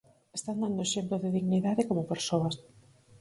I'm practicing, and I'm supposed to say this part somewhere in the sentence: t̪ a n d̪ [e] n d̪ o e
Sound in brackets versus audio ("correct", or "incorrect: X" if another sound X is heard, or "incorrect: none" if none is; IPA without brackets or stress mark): incorrect: a